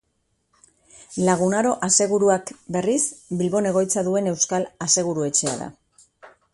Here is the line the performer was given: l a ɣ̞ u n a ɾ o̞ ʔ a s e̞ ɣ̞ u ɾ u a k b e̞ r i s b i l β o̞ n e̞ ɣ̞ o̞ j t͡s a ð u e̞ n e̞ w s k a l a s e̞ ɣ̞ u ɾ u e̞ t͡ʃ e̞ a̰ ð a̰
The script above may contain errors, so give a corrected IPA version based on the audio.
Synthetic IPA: l a ɣ̞ u n a ɾ o̞ ʔ a s e̞ ɣ̞ u ɾ u a k b e̞ r i s b i l β o̞ n e̞ ɣ̞ o̞ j t͡s a ð u e̞ n e̞ w s k a l a s e̞ ɣ̞ u ɾ u e̞ t͡ʃ e̞ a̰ ð a̰